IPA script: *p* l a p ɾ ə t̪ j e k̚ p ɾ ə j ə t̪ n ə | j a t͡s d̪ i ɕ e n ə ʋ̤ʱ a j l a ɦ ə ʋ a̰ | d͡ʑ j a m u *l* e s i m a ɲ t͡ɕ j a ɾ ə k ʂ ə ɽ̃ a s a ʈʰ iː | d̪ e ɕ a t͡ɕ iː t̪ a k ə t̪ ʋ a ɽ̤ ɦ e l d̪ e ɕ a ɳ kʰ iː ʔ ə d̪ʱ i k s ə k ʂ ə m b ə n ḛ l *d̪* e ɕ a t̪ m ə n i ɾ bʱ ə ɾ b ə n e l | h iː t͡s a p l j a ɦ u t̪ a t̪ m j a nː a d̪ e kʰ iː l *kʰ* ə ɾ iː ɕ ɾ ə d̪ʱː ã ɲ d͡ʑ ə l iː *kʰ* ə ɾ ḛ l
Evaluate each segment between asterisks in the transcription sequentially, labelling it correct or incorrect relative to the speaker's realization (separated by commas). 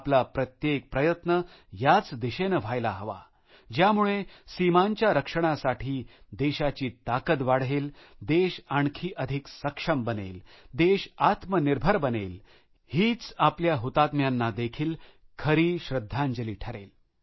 correct, incorrect, correct, correct, incorrect